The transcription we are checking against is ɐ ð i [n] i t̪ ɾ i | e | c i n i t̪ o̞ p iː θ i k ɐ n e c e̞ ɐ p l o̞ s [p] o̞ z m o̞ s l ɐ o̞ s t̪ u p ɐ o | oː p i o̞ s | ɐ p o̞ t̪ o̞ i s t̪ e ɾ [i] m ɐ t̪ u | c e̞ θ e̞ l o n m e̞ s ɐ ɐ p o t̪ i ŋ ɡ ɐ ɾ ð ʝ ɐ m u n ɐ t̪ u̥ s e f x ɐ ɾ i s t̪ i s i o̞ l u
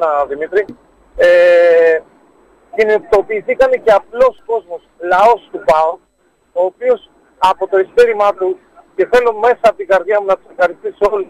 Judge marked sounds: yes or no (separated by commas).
no, no, yes